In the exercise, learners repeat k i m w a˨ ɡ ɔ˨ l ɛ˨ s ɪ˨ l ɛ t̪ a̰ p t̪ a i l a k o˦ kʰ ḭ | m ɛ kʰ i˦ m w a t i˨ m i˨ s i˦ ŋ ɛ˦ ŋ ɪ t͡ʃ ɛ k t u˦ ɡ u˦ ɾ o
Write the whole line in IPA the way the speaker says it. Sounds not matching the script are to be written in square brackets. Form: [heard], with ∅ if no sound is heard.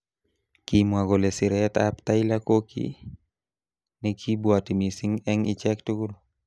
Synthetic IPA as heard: k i m w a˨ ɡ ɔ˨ l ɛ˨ s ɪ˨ [ɾ] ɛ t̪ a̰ p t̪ a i l a k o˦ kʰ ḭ | [n] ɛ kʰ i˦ [b] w a t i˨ m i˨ s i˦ ŋ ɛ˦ ŋ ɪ t͡ʃ ɛ k t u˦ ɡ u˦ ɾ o